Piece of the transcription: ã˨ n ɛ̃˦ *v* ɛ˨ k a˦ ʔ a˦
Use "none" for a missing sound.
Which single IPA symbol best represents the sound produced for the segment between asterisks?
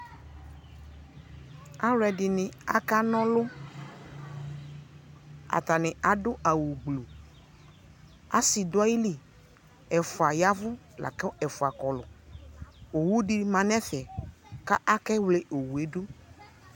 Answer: f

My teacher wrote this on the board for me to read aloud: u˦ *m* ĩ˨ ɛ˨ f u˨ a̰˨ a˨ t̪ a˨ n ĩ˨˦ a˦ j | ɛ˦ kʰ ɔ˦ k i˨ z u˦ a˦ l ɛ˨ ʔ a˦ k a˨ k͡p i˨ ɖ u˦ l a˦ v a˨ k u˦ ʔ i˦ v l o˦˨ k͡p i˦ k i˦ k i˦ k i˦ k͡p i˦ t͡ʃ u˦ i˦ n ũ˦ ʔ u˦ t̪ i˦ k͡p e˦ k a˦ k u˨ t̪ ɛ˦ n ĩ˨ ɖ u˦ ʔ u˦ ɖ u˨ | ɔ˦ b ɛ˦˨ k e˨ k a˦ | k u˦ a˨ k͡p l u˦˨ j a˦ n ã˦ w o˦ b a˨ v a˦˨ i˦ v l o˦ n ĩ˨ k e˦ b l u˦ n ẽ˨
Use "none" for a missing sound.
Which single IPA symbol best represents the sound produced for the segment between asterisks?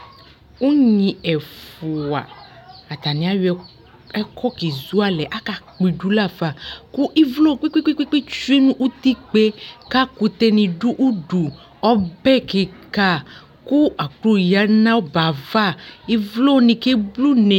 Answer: ɲ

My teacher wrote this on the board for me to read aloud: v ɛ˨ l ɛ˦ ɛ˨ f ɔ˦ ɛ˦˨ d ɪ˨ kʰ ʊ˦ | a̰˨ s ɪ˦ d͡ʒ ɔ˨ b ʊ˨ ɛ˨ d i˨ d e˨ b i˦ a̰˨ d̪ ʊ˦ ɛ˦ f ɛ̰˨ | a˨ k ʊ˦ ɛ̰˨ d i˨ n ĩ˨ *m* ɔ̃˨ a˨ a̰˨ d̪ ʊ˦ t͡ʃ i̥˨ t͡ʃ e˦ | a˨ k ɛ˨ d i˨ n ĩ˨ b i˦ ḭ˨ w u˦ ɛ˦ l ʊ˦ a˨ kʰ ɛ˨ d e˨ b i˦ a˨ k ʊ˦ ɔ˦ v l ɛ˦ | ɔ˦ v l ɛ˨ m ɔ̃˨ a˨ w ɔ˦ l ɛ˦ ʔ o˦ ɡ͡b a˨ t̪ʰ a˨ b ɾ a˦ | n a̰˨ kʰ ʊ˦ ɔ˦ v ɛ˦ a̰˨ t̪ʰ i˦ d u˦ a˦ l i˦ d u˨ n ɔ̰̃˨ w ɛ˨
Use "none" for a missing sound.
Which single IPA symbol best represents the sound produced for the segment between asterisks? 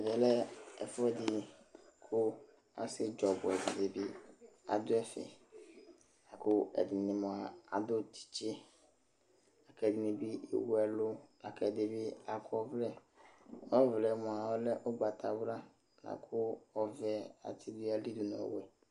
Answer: m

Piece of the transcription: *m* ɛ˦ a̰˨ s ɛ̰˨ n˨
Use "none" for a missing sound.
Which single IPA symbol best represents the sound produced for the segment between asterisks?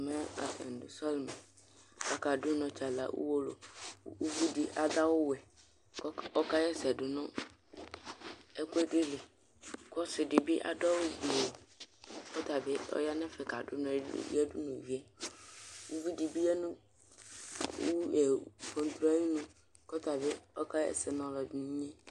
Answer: m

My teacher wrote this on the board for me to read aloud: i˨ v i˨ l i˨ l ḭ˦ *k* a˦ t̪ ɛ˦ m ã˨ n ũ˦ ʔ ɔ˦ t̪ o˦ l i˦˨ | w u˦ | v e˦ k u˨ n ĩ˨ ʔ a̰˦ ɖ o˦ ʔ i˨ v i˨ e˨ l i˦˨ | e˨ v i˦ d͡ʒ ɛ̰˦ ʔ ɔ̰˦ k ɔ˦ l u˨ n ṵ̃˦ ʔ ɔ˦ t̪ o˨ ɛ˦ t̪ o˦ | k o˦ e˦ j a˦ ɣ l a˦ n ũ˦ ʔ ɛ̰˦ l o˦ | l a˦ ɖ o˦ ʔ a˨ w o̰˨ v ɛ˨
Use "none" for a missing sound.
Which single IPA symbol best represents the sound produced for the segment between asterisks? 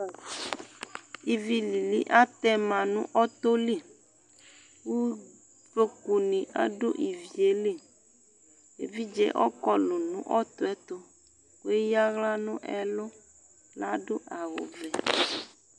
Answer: ʔ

